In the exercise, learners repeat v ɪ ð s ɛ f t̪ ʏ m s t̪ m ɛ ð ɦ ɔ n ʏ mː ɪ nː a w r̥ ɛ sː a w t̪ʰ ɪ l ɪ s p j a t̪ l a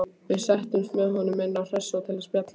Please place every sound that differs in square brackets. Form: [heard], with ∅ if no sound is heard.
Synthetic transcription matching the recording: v ɪ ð s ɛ [h] t̪ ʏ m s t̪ m ɛ ð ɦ ɔ n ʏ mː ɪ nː a w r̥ ɛ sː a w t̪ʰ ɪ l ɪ s p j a t̪ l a